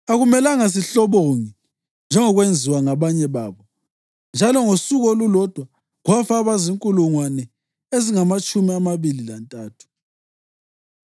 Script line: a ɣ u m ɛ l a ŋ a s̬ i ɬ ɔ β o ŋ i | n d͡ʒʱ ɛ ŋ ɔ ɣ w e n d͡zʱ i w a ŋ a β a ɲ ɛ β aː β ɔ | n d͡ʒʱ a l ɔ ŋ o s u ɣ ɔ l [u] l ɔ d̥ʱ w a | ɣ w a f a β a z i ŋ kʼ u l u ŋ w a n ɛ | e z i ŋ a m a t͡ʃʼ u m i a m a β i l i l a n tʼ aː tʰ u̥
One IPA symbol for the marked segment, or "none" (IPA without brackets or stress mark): u